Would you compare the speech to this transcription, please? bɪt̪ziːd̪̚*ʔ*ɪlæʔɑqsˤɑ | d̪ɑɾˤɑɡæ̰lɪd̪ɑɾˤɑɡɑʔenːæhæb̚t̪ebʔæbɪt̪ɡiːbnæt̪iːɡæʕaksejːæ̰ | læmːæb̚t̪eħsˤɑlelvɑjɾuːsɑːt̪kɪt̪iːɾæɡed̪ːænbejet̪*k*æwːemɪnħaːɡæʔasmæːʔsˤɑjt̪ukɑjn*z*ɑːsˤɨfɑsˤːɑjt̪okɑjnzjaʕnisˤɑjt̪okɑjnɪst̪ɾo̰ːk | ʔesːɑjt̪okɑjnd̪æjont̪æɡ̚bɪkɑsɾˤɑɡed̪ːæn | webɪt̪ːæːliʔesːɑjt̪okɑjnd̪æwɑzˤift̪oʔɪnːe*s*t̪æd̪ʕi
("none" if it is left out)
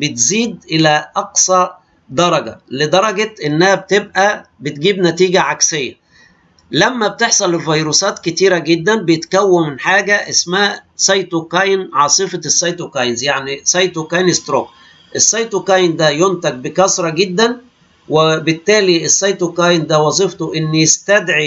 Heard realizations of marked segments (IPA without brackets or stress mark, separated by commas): ʔ, k, ʕ, s